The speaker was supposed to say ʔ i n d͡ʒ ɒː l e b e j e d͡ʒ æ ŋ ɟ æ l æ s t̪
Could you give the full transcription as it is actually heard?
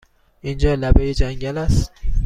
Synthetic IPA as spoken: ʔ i n d͡ʒ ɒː l æ b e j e d͡ʒ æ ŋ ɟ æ l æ s t̪

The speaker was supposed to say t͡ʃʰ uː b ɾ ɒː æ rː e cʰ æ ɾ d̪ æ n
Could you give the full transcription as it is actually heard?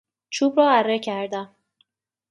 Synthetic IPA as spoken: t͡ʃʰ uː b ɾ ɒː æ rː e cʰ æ ɾ d̪ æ m

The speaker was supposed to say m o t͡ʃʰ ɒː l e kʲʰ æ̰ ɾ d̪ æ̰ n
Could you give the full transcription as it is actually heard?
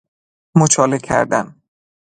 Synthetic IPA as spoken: m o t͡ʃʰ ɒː l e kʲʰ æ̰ ɾ d̪ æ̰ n

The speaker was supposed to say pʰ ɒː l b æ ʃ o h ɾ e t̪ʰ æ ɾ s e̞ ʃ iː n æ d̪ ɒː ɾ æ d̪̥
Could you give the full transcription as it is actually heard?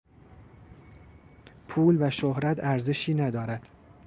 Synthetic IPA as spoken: pʰ uː l v æ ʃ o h ɾ æ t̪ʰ æ ɾ z e̞ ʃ iː n æ d̪ ɒː ɾ æ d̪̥

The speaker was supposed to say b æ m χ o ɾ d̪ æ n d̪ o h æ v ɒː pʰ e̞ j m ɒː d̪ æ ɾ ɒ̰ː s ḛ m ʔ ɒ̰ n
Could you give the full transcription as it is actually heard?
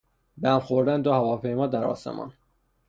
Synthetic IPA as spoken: b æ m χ o ɾ d̪ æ n d̪ o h æ v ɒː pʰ e̞ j m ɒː d̪ æ ɾ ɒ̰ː s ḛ m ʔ ɒ̰ n

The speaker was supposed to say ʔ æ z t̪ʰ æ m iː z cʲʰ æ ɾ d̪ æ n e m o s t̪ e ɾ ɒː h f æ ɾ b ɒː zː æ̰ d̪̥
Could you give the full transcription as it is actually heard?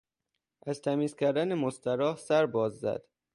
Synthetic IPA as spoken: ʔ æ z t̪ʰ æ m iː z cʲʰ æ ɾ d̪ æ n e m o s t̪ æ ɾ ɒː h s æ ɾ b ɒː zː æ̰ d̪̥

